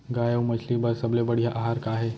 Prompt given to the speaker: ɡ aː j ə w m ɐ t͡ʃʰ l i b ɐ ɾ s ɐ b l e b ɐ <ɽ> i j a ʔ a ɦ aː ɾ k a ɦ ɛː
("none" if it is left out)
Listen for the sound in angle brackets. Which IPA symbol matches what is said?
ɽ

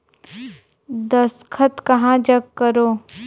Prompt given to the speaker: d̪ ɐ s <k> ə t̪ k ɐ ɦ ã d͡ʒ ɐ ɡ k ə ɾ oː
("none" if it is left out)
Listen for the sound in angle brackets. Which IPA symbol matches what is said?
kʰ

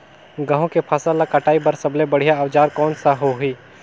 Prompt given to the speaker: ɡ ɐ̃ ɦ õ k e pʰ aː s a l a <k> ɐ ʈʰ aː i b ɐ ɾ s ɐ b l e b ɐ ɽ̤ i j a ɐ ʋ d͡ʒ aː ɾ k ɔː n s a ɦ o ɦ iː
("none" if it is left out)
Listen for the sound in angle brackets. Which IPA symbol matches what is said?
k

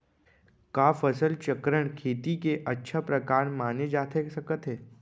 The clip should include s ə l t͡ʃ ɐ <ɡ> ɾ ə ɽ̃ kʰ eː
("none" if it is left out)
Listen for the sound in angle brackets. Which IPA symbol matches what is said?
k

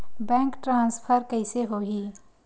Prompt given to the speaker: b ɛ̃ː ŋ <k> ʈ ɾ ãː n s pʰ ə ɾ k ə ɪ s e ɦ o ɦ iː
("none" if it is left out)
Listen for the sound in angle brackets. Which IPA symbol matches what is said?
k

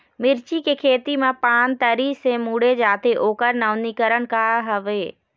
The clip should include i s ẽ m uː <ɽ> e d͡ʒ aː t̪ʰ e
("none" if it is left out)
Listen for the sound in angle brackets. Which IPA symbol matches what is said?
ɽ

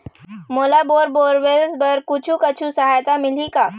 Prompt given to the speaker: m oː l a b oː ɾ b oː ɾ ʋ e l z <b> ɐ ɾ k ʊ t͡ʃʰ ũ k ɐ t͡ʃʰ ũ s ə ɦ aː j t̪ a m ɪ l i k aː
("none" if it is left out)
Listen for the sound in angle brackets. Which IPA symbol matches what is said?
b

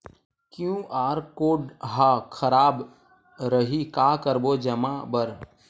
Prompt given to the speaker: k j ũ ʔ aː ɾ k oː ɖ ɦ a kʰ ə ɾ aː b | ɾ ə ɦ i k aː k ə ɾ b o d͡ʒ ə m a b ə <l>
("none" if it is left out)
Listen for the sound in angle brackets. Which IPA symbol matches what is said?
ɾ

